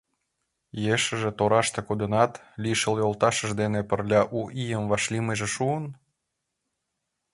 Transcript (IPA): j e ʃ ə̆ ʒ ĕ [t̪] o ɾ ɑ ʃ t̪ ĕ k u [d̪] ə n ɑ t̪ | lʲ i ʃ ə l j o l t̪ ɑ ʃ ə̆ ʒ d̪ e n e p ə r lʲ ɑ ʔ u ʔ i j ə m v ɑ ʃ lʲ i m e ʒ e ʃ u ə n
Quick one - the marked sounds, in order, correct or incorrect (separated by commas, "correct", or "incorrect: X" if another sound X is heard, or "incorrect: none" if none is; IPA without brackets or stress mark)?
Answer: correct, correct